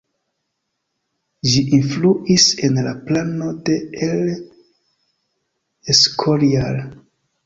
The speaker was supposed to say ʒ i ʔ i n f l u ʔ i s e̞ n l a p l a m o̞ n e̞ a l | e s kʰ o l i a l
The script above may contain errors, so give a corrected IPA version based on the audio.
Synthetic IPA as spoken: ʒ i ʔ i n f l u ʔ i s e̞ n l a p l a n o̞ d e̞ e l | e s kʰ o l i a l